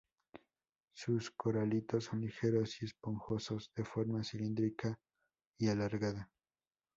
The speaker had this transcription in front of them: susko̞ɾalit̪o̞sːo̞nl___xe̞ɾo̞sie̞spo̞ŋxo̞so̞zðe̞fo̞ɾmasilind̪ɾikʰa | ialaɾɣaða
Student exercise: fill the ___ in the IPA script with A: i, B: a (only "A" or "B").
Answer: A